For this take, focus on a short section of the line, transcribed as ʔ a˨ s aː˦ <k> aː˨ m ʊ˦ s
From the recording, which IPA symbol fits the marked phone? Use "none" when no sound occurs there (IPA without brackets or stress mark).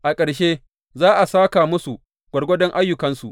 k